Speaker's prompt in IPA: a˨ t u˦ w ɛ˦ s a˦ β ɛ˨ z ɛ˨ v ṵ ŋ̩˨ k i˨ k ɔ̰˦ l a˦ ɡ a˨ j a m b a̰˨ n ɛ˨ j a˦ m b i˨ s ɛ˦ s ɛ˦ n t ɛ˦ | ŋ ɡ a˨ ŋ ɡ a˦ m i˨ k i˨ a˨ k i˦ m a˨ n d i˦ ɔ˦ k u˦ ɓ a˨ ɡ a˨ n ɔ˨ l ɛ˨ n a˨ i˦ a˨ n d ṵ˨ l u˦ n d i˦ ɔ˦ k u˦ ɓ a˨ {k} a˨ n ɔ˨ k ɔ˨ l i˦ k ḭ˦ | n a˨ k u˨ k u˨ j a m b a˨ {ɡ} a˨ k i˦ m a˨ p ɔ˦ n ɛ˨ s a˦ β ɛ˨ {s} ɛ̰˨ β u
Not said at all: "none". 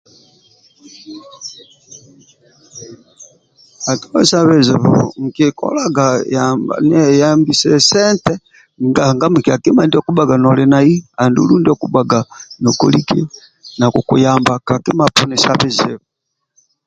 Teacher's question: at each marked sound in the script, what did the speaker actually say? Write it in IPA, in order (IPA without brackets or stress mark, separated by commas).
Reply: ɡ, k, z